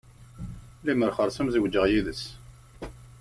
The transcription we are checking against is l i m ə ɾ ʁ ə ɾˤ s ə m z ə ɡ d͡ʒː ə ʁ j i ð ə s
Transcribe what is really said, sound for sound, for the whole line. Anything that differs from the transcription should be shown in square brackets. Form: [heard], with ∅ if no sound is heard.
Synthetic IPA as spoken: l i m ə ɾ [χ] ə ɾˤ s ə m z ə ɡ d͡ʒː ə ʁ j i ð ə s